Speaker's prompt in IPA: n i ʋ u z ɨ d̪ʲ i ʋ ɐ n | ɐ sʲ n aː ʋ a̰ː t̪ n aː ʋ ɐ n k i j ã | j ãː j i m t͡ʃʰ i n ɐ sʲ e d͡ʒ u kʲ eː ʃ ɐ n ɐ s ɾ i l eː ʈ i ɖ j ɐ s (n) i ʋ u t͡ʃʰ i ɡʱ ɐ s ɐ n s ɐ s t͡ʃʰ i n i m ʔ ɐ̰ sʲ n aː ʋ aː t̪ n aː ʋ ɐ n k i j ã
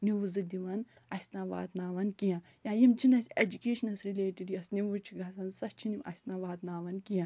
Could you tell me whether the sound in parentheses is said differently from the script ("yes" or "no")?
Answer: no